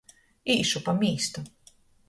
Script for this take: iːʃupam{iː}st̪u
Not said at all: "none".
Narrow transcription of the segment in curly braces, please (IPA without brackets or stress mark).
iː